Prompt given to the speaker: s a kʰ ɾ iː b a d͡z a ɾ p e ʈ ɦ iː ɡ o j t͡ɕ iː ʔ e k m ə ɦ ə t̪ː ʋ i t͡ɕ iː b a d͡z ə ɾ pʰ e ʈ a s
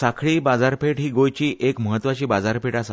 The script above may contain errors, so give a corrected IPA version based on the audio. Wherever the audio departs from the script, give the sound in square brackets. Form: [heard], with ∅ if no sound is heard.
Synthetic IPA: s a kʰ [ɭ] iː b a d͡z a ɾ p e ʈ ɦ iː ɡ o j t͡ɕ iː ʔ e k m ə ɦ ə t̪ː ʋ [a] t͡ɕ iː b a d͡z [a] ɾ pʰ e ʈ a s

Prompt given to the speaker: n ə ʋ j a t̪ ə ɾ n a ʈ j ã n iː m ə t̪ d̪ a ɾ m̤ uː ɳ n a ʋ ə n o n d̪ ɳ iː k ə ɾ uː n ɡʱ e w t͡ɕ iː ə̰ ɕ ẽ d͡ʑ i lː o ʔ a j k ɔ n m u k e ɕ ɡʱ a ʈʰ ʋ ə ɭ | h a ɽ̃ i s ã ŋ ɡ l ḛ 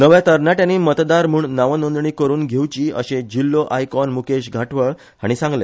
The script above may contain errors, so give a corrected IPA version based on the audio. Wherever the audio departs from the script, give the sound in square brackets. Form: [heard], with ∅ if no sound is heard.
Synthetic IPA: n ə ʋ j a t̪ ə ɾ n a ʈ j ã n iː m ə t̪ d̪ a ɾ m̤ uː ɳ n a ʋ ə n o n d̪ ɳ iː k ə ɾ uː n ɡʱ e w t͡ɕ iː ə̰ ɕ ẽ d͡ʑ i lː o ʔ a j k ɔ n m u k e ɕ ɡʱ a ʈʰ ʋ ə ɭ | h a ɽ̃ i s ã ŋ ɡ l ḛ

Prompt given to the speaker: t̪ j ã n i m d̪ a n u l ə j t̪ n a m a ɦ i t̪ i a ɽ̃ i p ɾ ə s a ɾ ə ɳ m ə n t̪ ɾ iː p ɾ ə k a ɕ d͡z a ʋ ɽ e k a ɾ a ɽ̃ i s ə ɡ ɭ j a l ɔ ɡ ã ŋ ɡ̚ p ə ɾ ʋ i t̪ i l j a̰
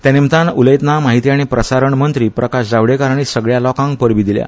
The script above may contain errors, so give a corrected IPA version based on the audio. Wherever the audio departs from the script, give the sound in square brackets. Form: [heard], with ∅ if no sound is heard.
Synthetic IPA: t̪ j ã n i m [t̪] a n u l ə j t̪ n a m a ɦ i t̪ i a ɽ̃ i p ɾ ə s a ɾ ə ɳ m ə n t̪ ɾ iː p ɾ ə k a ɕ d͡z a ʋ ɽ e k a ɾ a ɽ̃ i s ə ɡ ɭ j a l ɔ [k] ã ŋ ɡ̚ p ə ɾ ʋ i [d̪] i l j a̰

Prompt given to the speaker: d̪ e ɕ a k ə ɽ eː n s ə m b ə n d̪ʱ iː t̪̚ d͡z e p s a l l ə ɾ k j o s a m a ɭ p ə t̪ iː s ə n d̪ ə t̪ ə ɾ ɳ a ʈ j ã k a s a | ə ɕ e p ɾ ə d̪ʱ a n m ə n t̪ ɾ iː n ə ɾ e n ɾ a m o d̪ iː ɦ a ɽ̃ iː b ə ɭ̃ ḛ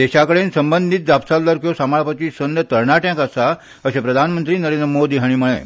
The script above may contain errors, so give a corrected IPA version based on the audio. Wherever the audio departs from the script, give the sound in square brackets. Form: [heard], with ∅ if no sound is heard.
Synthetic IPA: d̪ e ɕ a k ə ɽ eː n s ə m b ə n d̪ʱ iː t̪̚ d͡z [a] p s a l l ə ɾ k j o s a m a ɭ p ə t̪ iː s ə n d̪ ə t̪ ə ɾ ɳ a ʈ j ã k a s a | ə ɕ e p ɾ ə d̪ʱ a n m ə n t̪ ɾ iː n ə ɾ e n ɾ [ə] m o d̪ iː ɦ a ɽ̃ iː [m] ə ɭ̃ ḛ

